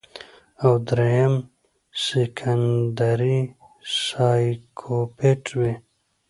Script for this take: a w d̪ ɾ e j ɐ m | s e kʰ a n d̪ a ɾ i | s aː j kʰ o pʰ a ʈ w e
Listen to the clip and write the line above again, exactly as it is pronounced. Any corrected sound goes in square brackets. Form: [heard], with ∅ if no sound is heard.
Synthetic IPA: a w d̪ ɾ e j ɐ m | s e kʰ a n d̪ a ɾ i | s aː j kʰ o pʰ [e] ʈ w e